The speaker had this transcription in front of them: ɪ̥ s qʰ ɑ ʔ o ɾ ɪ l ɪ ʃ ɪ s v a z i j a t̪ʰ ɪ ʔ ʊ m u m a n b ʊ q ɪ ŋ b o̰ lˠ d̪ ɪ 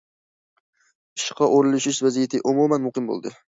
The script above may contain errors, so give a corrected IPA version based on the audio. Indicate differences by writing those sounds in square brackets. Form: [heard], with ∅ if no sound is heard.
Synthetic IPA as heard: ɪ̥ [ʃ] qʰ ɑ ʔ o ɾ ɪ l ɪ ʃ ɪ [ʃ] v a z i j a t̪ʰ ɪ ʔ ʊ m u m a n [m] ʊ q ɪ [m] b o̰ lˠ d̪ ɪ